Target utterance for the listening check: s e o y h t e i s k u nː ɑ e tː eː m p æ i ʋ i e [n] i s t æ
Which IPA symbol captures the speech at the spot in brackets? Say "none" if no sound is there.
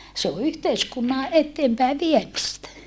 m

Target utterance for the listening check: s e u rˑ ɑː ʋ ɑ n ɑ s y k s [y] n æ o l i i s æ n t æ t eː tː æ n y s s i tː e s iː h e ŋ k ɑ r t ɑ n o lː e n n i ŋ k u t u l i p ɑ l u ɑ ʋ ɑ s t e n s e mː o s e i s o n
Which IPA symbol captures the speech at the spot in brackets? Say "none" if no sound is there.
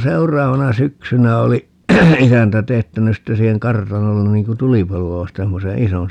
y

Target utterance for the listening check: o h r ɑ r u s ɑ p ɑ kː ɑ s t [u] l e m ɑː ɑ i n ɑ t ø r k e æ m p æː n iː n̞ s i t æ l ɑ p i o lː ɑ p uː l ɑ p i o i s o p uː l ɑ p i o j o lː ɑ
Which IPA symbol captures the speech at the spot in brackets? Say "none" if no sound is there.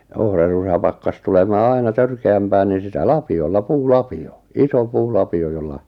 u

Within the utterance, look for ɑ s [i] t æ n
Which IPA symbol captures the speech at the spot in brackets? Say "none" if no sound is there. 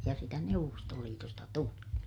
i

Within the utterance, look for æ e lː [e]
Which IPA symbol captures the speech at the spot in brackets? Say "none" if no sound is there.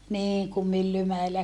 æ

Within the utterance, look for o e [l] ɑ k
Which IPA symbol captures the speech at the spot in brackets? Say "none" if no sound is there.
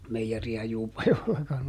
lː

